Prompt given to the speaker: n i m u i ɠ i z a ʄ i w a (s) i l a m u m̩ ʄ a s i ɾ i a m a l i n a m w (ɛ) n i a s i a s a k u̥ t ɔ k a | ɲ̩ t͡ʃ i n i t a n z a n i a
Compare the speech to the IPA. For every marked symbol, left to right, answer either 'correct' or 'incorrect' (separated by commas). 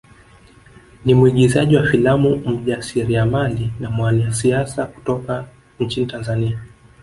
incorrect, incorrect